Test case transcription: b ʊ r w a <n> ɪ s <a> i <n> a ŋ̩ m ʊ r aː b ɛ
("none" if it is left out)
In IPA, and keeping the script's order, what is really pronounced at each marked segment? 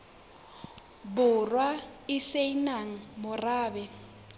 none, e, n

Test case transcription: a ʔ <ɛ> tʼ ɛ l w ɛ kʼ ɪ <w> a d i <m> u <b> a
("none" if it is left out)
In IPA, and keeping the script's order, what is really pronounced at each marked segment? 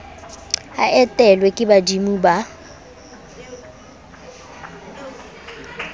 ɛ, b, m, b

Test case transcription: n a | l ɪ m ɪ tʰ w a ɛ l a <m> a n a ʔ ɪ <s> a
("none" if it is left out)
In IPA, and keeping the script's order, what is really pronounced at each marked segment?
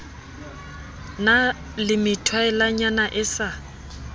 ɲ, s

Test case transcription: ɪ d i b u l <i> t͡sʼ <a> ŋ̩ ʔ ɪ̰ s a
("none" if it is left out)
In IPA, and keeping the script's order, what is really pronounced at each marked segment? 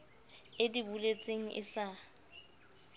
e, e

